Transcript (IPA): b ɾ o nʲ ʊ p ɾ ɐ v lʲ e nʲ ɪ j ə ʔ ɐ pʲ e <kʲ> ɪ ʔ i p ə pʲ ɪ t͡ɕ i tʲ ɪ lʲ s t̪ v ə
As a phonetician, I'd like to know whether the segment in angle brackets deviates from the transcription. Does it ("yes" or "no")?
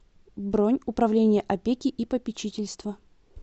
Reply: no